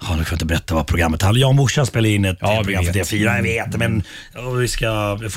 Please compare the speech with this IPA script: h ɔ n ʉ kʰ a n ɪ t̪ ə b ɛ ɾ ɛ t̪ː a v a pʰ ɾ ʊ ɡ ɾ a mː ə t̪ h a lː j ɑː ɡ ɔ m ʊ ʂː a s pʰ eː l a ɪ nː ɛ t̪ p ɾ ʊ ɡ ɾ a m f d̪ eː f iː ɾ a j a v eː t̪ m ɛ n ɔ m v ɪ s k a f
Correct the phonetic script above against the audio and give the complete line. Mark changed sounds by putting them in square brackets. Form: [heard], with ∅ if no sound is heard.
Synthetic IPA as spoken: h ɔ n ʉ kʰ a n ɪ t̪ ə b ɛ ɾ ɛ t̪ː a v a pʰ ɾ ʊ ɡ ɾ a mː ə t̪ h a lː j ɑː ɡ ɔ m ʊ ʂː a s [p] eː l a ɪ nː ɛ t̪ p ɾ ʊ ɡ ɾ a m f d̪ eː f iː ɾ a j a v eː t̪ m ɛ n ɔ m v ɪ s k a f